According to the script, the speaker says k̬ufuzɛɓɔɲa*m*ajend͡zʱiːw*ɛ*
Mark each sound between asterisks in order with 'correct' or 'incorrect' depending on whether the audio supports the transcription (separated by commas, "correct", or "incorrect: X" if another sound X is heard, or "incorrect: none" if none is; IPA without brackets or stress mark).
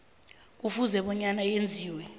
incorrect: n, correct